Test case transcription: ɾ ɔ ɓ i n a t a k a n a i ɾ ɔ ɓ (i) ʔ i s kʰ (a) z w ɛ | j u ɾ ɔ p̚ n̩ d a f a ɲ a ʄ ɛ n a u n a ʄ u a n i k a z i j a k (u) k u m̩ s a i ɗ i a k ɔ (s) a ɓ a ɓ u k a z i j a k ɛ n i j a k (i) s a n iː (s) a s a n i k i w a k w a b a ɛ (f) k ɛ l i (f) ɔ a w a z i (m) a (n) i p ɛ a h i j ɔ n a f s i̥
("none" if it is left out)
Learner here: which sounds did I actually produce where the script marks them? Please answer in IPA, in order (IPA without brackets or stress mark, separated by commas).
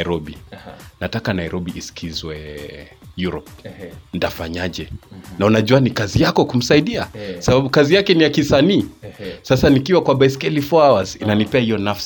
i, i, ɔ, s, i, s, s, f, n, n